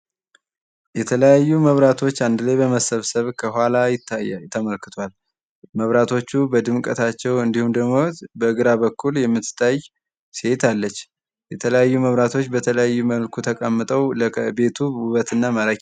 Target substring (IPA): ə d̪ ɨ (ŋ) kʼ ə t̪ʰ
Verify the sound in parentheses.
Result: incorrect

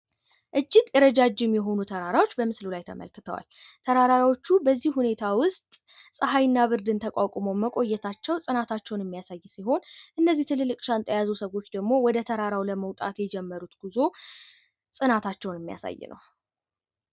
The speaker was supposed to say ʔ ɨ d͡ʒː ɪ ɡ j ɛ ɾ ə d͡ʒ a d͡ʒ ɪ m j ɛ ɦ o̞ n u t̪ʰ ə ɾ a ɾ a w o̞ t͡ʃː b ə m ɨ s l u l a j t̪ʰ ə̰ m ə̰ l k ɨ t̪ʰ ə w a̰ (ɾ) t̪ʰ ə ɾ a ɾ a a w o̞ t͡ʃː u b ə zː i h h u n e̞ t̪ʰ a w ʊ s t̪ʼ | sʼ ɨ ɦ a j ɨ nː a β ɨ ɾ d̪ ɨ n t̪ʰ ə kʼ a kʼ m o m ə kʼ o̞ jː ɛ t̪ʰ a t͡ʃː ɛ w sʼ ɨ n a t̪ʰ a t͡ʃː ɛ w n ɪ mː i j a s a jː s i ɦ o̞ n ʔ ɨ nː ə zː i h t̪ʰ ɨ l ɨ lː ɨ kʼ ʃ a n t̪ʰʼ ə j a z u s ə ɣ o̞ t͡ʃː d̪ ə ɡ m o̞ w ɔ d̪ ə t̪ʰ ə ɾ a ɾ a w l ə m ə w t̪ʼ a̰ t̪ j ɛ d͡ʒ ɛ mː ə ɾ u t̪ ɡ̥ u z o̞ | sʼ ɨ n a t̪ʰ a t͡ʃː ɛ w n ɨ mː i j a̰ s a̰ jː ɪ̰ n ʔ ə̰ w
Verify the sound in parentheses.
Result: incorrect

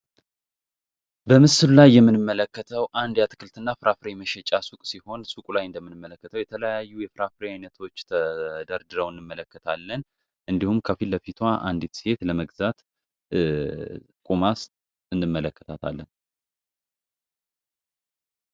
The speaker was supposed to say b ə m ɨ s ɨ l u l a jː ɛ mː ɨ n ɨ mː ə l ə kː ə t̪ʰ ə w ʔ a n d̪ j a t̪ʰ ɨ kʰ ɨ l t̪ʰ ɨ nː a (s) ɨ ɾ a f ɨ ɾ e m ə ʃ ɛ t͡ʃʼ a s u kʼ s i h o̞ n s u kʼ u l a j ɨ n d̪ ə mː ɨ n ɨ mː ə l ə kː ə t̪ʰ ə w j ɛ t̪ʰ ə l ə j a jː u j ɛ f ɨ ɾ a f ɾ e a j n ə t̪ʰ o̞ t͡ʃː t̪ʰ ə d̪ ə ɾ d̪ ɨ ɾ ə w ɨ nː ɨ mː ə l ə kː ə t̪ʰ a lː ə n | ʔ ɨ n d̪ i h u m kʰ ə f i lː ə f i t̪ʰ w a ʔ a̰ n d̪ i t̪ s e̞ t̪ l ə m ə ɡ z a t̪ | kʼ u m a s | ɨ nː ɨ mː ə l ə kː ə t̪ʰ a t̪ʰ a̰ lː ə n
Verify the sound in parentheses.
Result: incorrect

